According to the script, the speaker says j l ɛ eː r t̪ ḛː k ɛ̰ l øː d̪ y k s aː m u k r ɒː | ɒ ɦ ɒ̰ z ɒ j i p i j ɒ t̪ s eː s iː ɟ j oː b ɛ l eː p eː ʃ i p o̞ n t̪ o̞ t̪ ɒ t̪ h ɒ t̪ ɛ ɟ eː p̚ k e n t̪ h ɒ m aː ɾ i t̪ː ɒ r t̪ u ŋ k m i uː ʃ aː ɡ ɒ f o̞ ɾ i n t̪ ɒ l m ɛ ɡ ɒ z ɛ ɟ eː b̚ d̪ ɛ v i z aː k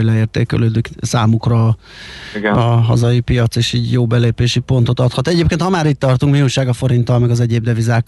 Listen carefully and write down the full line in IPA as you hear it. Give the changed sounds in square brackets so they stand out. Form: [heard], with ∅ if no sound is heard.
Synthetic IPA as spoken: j l ɛ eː r t̪ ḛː k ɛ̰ l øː d̪ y k s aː m u k r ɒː | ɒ ɦ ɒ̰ z ɒ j i p i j ɒ t̪ s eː [ʃ] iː ɟ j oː b ɛ l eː p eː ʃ i p o̞ n t̪ o̞ t̪ ɒ t̪ h ɒ t̪ ɛ ɟ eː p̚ k e n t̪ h ɒ m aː ɾ i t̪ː ɒ r t̪ u ŋ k m i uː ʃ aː ɡ ɒ f o̞ ɾ i n t̪ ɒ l m ɛ ɡ ɒ z ɛ ɟ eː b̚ d̪ ɛ v i z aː k